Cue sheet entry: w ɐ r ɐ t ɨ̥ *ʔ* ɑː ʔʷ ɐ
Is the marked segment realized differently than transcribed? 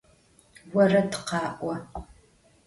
yes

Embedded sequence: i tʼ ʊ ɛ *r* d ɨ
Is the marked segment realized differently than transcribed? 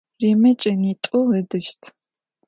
yes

